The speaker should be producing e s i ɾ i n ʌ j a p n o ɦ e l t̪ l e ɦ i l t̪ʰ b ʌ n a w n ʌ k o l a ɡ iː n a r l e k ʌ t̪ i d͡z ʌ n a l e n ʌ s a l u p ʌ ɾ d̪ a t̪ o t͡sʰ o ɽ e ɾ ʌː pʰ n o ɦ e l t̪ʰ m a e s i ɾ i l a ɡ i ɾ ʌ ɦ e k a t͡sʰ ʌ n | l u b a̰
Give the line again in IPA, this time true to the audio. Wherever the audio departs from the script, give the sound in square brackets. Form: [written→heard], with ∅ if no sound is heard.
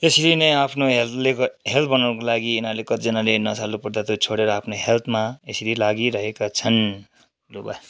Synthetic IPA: e s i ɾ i n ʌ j a [p→pʰ] n o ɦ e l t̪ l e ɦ [i→e] l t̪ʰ b ʌ n a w n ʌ k o l a ɡ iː n a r l e k ʌ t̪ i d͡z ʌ n a l e n ʌ s a l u p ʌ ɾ d̪ a t̪ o t͡sʰ o ɽ e ɾ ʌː pʰ n o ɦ e l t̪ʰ m a e s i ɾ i l a ɡ i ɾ ʌ ɦ e k a t͡sʰ ʌ n | l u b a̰